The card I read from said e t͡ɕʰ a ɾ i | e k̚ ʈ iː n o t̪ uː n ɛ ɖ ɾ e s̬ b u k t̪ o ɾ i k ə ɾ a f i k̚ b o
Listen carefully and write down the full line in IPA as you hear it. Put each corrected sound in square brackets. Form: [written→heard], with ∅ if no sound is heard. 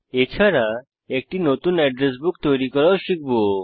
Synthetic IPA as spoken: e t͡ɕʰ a ɾ [i→a] | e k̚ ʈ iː n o t̪ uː n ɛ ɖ ɾ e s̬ b u k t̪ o ɾ i k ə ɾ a [f→ɕ] i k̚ b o